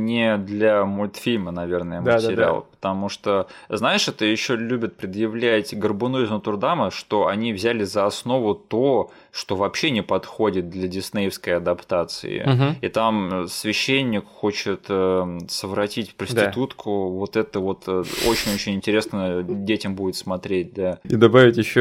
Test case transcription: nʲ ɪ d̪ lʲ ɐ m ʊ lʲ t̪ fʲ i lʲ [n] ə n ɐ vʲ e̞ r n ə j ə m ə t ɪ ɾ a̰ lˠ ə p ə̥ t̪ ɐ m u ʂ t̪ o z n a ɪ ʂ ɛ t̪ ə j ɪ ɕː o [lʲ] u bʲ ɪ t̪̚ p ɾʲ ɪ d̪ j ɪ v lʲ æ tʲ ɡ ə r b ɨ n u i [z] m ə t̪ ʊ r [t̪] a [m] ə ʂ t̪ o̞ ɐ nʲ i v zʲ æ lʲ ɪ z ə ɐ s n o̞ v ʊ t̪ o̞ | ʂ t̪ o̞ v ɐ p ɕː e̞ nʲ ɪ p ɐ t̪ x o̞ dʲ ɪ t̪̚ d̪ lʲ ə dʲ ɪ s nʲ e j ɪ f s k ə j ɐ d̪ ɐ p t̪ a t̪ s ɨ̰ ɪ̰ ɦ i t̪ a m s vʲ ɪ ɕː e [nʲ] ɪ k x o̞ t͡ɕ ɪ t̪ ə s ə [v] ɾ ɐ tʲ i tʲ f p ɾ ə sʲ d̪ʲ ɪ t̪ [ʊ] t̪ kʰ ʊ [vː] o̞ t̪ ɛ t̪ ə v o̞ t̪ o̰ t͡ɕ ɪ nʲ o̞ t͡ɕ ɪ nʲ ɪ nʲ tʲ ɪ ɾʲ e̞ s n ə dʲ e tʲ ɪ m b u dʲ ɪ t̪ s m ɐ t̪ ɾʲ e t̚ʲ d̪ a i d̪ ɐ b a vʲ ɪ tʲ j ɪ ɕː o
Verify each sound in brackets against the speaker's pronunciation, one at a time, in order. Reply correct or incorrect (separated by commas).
incorrect, correct, correct, incorrect, correct, incorrect, correct, incorrect, incorrect